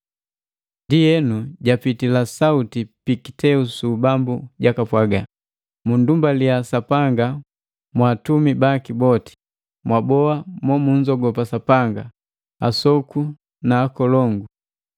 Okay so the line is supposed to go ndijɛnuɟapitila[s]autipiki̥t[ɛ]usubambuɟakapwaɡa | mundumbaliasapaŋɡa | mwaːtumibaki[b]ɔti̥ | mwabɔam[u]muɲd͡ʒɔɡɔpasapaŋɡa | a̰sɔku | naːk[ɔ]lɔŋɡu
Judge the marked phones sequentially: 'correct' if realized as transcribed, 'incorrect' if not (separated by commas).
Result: correct, correct, correct, incorrect, correct